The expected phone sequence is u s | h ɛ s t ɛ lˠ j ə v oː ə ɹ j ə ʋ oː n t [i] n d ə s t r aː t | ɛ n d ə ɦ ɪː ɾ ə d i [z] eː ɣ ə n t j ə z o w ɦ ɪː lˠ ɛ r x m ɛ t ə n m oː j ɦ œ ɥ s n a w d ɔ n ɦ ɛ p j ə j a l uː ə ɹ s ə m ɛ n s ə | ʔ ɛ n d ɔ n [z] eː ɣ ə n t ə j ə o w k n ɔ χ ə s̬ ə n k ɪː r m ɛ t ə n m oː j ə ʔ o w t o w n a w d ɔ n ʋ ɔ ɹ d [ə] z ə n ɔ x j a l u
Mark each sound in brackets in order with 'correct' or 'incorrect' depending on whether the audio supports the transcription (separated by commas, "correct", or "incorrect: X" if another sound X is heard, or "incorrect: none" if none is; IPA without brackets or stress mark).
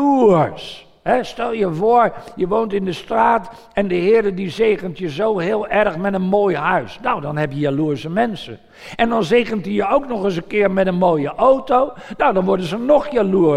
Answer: incorrect: ɪ, correct, correct, correct